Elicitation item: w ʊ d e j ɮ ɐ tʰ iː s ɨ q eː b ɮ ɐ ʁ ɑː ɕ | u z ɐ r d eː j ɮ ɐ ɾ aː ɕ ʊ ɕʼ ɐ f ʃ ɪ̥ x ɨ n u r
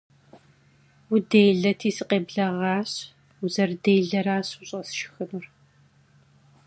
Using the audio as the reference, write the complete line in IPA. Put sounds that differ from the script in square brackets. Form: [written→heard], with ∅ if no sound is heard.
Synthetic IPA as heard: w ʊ d e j ɮ ɐ tʰ iː s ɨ q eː b ɮ ɐ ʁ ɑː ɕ | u z ɐ r d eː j ɮ ɐ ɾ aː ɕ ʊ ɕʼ ɐ [f→s] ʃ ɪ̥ x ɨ n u r